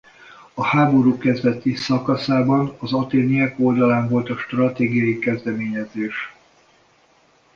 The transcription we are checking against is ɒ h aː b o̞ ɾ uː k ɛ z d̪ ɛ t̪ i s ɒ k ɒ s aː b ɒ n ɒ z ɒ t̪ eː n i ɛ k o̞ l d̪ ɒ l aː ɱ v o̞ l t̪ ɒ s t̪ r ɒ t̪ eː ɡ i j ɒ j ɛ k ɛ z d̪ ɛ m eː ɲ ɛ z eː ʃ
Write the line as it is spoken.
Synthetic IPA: ɒ h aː b o̞ ɾ uː k ɛ z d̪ ɛ t̪ i s ɒ k ɒ s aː b ɒ n ɒ z ɒ t̪ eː n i ɛ k o̞ l d̪ ɒ l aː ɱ v o̞ l t̪ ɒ ʃ t̪ r ɒ t̪ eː ɡ i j ɒ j i k ɛ z d̪ ɛ m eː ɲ ɛ z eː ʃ